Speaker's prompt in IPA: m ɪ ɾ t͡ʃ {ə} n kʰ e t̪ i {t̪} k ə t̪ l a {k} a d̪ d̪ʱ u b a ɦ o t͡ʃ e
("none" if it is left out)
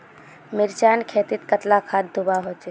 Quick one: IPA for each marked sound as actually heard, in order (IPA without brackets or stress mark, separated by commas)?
a, t̪, kʰ